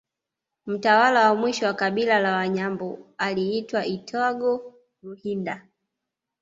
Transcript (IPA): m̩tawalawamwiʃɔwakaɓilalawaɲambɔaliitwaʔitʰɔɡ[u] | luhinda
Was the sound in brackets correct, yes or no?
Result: no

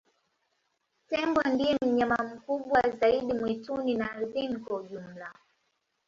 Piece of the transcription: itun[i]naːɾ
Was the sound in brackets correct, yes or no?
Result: yes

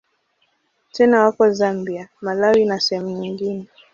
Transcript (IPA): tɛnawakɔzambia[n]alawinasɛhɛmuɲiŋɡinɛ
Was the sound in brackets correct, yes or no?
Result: no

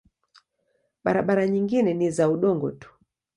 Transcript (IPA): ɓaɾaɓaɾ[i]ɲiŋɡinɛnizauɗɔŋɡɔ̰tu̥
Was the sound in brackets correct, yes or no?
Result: no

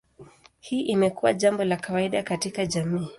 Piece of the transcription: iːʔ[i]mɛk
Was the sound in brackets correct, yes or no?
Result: yes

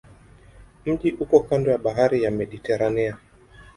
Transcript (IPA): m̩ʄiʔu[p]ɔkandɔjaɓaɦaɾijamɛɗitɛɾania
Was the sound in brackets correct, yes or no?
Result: no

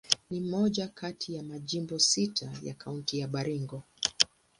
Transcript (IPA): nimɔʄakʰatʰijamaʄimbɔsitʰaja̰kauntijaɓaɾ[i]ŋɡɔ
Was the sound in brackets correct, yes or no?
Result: yes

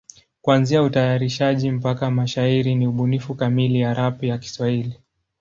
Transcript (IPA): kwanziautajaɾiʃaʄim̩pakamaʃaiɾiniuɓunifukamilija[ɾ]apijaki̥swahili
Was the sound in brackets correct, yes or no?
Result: yes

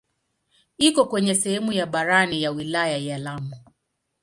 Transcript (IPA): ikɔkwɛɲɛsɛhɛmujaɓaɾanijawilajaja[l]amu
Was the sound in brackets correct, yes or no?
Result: yes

